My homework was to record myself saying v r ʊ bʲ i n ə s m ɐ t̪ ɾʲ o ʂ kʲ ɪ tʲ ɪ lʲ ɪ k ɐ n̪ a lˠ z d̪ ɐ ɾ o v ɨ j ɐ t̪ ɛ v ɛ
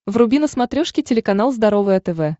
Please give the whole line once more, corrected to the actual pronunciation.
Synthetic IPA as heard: v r ʊ bʲ i n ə s m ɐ t̪ ɾʲ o ʂ kʲ ɪ tʲ ɪ lʲ ɪ k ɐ n̪ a lˠ z d̪ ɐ ɾ o v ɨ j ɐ t̪ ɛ v ɛ